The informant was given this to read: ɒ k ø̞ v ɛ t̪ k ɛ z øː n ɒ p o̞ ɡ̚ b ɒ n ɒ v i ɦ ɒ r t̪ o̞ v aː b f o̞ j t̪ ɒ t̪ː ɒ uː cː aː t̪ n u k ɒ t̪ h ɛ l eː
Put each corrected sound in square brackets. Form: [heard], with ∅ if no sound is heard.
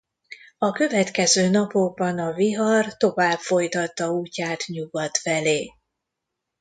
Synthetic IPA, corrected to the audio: ɒ k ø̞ v ɛ t̪ k ɛ z øː n ɒ p o̞ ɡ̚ b ɒ n ɒ v i ɦ ɒ r t̪ o̞ v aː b f o̞ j t̪ ɒ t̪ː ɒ uː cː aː t̪ [ɲ] u [ɡ] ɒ t̪ [f] ɛ l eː